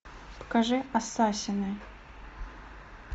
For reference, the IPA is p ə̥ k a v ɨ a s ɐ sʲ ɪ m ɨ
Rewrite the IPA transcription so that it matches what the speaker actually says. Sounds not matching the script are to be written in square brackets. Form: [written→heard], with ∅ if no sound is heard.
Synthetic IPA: p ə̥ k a [v→ʐ] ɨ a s [ɐ→a] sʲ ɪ [m→n] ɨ